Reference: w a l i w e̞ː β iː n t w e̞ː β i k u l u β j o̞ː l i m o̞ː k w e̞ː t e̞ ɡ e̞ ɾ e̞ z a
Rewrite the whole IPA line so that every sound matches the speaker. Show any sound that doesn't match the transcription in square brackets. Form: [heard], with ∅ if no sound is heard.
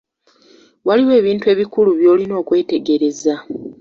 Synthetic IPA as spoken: w a l i w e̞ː β iː n t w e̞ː β i k u l u β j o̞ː l i [n] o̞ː k w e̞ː t e̞ ɡ e̞ ɾ e̞ z a